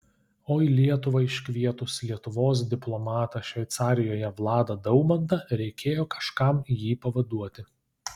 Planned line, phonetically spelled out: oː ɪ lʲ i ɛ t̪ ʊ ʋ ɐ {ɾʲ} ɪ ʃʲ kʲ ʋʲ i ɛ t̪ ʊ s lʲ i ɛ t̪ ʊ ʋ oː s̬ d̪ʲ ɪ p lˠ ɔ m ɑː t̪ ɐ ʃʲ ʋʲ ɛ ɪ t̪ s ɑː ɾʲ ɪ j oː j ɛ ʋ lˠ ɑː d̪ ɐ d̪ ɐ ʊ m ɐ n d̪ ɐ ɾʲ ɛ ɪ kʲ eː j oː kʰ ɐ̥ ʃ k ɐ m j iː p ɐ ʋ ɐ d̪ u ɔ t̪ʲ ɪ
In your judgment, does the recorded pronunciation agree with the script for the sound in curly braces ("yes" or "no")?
no